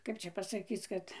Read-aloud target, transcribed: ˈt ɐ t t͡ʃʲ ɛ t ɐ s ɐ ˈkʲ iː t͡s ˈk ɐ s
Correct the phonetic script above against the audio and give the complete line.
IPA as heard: ˈk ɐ p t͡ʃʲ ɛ p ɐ s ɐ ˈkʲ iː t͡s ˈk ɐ t